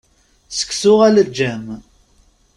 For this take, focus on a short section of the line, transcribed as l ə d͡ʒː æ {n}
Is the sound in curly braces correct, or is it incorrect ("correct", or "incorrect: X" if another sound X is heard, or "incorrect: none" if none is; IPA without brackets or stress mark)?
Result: incorrect: m